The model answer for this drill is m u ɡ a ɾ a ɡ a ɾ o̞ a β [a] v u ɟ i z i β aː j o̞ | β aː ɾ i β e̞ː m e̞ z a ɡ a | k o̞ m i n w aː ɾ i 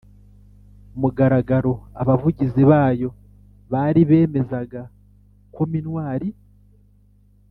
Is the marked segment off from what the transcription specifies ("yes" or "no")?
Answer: no